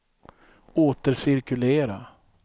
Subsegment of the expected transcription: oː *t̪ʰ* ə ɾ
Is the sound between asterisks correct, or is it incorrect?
incorrect